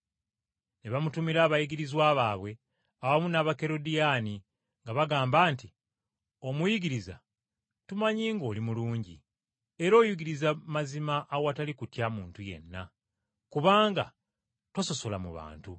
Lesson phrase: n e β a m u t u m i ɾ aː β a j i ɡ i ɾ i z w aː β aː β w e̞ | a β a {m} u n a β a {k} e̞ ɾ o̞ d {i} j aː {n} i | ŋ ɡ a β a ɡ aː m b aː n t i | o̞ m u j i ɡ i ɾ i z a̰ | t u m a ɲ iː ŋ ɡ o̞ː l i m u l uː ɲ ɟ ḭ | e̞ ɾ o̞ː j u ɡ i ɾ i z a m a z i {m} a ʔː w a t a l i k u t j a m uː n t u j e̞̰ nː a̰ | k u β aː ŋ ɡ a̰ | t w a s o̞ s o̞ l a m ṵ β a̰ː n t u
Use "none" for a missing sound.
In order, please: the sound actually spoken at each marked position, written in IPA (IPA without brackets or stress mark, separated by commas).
m, k, i, n, m